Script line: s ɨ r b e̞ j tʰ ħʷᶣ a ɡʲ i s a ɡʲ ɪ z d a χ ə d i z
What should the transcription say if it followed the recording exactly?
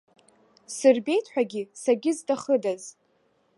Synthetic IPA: s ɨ r b e̞ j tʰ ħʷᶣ a ɡʲ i s a ɡʲ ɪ z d a χ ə d a z